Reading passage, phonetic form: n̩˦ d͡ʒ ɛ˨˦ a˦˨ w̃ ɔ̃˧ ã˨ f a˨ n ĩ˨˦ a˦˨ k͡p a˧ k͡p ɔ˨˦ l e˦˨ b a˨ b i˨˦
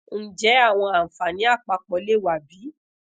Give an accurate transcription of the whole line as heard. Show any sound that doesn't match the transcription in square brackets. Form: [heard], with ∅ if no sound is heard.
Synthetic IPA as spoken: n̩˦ d͡ʒ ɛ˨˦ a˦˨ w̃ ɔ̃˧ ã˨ f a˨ n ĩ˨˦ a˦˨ k͡p a˧ k͡p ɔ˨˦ l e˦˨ [w] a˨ b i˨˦